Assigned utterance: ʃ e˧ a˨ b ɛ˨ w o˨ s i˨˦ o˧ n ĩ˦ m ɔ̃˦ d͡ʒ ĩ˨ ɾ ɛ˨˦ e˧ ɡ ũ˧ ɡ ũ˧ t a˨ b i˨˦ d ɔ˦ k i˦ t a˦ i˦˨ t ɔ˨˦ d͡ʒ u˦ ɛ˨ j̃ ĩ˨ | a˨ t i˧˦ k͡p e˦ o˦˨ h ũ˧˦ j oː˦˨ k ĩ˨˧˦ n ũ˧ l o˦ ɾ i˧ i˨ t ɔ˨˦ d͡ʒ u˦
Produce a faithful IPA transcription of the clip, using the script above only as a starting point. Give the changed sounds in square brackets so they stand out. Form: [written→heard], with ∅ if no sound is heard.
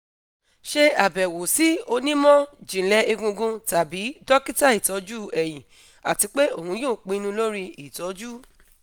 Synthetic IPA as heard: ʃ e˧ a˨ b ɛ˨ w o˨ s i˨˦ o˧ n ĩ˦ m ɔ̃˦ d͡ʒ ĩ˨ [ɾ→l] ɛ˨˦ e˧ ɡ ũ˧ ɡ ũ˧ t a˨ b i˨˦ d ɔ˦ k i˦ t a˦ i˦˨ t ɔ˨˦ d͡ʒ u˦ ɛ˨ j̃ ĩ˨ | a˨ t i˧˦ k͡p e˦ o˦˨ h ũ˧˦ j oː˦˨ [k→k͡p] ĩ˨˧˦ n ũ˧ l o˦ ɾ i˧ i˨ t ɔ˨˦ d͡ʒ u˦